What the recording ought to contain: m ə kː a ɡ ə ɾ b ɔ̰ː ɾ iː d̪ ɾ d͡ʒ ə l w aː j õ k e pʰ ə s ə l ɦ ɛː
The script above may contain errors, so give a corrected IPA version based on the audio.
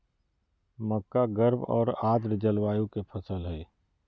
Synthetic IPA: m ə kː a ɡ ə ɾ b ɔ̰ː ɾ aː d̪ ɾ d͡ʒ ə l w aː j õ k e pʰ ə s ə l ɦ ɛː